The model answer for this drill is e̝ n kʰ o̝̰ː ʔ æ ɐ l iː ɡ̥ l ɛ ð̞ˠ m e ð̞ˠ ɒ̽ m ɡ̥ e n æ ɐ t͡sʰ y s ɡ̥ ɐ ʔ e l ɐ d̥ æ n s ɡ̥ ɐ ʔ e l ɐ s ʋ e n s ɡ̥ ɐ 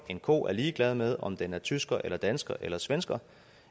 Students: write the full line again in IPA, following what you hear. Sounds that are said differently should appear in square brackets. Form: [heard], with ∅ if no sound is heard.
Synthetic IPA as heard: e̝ n kʰ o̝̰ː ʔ æ ɐ l iː ɡ̥ l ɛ ð̞ˠ m e ð̞ˠ ɒ̽ m [d̥] e n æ ɐ t͡sʰ y s ɡ̥ ɐ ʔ e l ɐ d̥ æ n s ɡ̥ ɐ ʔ e l ɐ s ʋ e n s ɡ̥ ɐ

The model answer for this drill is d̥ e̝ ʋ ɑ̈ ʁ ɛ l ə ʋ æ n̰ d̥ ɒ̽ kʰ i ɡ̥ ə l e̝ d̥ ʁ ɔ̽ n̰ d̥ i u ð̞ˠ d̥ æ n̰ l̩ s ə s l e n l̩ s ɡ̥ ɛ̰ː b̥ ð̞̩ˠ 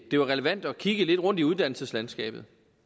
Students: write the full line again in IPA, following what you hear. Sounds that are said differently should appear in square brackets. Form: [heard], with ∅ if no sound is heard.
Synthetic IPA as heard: d̥ e̝ ʋ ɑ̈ ʁ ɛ l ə ʋ æ n̰ d̥ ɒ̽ kʰ i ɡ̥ ə l e̝ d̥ ʁ ɔ̽ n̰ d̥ i u ð̞ˠ d̥ æ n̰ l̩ s ə s l [æ] n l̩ s ɡ̥ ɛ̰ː b̥ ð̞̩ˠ

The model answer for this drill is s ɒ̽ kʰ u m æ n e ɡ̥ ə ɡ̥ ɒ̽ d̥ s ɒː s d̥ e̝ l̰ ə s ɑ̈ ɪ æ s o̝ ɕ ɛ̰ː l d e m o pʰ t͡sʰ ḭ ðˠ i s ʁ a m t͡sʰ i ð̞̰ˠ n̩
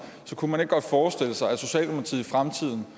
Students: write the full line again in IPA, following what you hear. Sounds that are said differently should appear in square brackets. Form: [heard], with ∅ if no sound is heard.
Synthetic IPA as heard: s ɒ̽ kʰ u m æ n e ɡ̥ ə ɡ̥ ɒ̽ d̥ [f] ɒː s d̥ e̝ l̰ ə s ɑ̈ ɪ æ s o̝ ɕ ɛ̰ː l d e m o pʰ t͡sʰ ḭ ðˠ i [f] ʁ a m t͡sʰ i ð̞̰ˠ n̩

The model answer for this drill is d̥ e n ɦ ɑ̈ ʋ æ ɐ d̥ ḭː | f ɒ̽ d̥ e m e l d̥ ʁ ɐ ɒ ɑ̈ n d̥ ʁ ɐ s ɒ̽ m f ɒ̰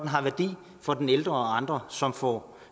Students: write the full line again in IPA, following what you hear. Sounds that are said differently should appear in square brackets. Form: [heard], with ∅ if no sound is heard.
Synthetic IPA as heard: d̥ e n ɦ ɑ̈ ʋ æ ɐ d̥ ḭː | f ɒ̽ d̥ e [n] e l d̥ ʁ ɐ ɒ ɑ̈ n d̥ ʁ ɐ s ɒ̽ m f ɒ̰

